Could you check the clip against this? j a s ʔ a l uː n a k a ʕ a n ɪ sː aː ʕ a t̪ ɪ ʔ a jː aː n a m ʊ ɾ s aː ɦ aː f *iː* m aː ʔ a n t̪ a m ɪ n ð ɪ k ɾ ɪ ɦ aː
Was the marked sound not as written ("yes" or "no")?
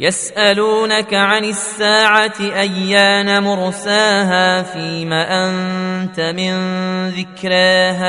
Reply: no